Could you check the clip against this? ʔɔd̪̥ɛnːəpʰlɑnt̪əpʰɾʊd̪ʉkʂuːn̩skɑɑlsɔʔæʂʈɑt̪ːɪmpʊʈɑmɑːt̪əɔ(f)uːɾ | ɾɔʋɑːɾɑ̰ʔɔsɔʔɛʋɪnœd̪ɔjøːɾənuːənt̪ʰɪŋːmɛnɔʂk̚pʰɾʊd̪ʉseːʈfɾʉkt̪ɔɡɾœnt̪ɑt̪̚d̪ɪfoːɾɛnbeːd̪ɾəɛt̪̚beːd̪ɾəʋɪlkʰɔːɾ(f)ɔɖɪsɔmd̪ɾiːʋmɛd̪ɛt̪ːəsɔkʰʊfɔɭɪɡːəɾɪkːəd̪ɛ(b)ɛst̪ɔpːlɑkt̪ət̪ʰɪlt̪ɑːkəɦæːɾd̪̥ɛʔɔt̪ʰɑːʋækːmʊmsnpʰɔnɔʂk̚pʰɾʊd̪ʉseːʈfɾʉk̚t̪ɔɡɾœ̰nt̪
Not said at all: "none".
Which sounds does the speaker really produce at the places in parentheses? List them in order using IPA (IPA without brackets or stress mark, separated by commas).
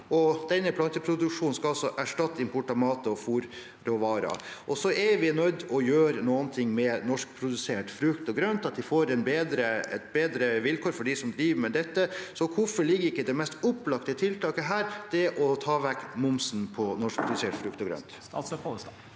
f, f, m